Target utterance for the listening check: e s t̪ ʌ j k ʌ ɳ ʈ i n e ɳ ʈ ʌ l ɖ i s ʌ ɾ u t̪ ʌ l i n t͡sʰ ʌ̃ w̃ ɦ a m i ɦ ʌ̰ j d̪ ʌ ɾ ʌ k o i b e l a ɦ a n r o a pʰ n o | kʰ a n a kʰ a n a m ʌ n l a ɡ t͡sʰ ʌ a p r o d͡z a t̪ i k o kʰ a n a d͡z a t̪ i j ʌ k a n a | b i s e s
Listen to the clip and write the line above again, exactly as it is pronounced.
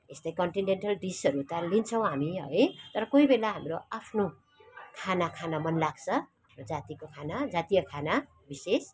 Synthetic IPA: e s t̪ ʌ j k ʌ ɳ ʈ i n e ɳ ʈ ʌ l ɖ i s ʌ ɾ u t̪ ʌ l i n t͡sʰ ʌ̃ w̃ ɦ a m i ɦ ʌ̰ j t̪ ʌ ɾ ʌ k o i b e l a ɦ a m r o a pʰ n o | kʰ a n a kʰ a n a m ʌ n l a ɡ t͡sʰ ʌ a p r o d͡z a t̪ i k o kʰ a n a d͡z a t̪ i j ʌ kʰ a n a | b i s e s